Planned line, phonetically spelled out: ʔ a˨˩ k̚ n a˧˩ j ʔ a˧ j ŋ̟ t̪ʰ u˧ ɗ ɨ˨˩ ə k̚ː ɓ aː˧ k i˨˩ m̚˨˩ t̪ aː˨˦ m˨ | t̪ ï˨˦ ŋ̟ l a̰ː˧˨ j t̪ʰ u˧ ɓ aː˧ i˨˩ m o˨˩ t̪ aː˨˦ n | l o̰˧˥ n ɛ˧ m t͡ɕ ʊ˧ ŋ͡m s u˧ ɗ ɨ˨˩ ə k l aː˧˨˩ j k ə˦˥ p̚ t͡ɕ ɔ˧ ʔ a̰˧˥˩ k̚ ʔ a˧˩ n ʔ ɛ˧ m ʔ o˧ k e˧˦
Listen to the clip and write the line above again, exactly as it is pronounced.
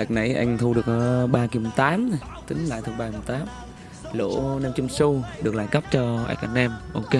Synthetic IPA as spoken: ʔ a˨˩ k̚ n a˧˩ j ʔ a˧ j ŋ̟ t̪ʰ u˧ ɗ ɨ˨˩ ə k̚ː ɓ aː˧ k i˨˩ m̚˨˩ t̪ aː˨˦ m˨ | t̪ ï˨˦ ŋ̟ l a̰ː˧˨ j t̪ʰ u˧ ɓ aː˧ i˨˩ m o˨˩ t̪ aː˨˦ m | l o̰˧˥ n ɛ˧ m t͡ɕ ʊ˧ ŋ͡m s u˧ ɗ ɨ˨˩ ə k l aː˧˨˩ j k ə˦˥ p̚ t͡ɕ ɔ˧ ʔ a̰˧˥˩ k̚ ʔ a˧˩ n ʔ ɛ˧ m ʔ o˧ k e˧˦